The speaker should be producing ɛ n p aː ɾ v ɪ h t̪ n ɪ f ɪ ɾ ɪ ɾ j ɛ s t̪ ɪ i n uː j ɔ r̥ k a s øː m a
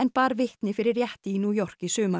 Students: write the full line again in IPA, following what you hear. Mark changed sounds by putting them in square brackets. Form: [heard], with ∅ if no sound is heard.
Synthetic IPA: ɛ n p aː ɾ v ɪ h t̪ n ɪ f ɪ ɾ ɪ ɾ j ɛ [h] t̪ ɪ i n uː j ɔ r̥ k [i] s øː m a